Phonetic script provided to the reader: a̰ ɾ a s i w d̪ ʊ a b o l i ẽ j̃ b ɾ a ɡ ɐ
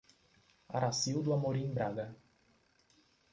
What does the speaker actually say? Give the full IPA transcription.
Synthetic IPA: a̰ ɾ a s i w d̪ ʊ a m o ɾ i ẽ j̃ b ɾ a ɡ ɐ